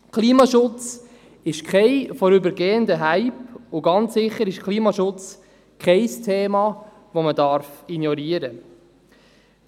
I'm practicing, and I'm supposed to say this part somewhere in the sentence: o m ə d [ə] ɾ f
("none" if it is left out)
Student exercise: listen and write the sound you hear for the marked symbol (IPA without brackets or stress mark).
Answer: ɑ